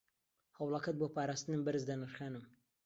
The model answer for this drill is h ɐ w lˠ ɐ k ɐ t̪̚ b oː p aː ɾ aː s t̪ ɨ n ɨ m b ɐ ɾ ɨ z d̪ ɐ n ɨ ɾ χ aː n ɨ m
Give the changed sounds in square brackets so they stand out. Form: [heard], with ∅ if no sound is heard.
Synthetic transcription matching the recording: h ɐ w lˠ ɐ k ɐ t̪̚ b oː p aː ɾ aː s t̪ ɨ n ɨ m b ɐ ɾ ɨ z d̪ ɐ n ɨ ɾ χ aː n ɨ m